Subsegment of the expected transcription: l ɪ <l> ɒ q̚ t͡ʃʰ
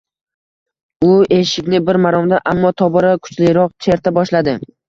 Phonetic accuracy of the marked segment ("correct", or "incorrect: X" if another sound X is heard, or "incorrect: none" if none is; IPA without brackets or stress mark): incorrect: ɾ